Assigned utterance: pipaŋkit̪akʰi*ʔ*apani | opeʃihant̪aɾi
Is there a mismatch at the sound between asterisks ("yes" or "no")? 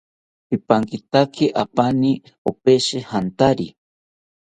no